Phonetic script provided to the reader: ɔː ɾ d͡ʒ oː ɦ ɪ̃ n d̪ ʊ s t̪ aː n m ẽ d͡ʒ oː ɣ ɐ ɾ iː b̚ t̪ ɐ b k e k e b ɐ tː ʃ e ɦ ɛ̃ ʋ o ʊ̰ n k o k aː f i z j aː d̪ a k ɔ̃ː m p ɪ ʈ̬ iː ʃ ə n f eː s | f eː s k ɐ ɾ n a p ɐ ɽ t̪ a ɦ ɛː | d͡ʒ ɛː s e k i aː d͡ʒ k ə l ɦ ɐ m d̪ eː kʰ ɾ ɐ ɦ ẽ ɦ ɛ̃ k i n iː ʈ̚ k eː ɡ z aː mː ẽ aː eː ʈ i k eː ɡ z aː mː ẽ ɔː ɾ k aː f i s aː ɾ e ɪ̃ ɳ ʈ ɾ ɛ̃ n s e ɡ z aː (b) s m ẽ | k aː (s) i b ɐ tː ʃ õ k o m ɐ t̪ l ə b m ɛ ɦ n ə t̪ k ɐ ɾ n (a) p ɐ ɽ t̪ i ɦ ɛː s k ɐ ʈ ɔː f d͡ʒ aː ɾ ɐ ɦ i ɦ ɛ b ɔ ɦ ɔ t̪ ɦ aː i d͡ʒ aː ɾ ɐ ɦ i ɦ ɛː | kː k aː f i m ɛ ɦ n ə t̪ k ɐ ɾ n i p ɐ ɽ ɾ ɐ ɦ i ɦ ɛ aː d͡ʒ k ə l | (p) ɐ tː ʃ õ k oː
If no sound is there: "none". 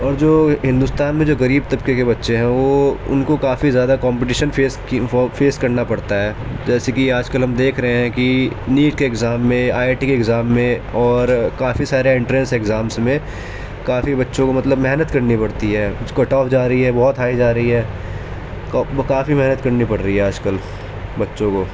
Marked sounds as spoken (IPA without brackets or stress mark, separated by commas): m, f, i, b